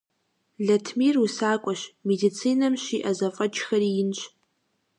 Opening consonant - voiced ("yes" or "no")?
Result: yes